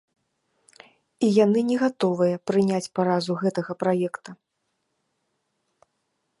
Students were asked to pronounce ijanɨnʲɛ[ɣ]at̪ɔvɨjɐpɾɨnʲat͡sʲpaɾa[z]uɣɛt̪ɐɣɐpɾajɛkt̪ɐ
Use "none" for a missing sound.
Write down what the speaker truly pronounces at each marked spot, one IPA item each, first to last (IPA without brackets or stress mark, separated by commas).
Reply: ɣ, z